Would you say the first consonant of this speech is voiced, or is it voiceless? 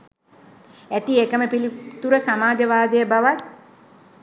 voiceless